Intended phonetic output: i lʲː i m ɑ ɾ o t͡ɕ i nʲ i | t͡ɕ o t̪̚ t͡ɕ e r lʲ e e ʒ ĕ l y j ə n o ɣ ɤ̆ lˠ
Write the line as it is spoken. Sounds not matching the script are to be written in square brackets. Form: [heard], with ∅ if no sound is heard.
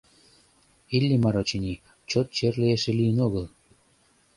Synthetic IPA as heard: i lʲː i m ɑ ɾ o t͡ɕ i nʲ i | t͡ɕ o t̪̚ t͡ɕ e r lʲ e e [ʃ] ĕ l [i] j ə n o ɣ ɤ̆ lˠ